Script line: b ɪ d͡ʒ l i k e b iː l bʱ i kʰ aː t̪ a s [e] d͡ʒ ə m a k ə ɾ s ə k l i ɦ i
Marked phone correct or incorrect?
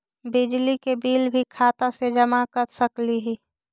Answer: correct